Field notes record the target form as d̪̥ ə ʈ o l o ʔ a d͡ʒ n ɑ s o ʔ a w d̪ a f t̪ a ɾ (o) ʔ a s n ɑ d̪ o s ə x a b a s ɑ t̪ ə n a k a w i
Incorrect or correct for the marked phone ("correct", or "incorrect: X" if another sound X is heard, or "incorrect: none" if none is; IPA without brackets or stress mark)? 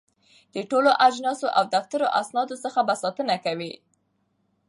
correct